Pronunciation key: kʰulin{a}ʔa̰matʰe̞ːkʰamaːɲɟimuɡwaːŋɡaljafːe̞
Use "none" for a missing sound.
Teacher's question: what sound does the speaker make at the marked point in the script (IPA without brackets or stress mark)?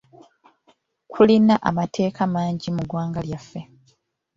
a